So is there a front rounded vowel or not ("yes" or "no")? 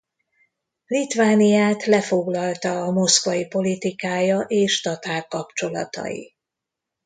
no